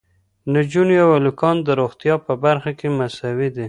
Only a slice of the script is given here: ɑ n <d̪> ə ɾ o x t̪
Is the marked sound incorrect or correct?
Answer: correct